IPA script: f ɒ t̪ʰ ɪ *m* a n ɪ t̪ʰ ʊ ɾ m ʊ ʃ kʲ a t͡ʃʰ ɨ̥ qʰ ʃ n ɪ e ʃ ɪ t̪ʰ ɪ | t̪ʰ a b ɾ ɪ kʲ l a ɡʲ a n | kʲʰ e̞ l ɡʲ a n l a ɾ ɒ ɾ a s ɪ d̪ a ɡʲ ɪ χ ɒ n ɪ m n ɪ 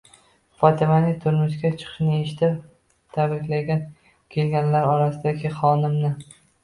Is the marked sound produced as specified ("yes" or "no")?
yes